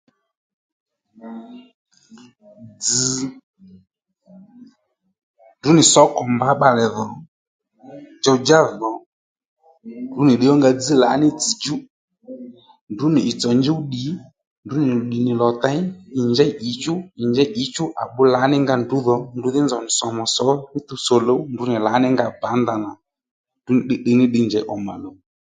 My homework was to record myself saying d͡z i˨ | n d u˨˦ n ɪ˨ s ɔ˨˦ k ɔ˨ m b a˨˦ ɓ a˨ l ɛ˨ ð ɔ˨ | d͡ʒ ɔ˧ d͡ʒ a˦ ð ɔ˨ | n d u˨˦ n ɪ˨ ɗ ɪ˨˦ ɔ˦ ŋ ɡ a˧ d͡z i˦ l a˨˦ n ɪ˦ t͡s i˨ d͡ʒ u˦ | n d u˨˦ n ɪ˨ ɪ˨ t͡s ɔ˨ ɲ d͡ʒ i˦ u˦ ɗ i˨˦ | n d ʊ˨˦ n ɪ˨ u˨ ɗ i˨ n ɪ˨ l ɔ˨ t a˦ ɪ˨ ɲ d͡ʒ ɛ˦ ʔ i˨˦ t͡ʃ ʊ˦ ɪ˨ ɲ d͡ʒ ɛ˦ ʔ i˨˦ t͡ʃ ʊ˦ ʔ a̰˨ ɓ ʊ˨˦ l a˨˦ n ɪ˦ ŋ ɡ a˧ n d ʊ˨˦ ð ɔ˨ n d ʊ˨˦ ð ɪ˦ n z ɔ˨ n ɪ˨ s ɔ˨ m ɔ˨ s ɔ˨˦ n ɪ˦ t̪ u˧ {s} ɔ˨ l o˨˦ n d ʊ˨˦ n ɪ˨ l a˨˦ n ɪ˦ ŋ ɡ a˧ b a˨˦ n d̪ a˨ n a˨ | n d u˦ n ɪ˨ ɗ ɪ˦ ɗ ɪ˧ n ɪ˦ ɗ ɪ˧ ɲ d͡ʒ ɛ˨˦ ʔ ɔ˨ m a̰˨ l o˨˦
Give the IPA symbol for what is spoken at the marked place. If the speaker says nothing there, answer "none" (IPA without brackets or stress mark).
s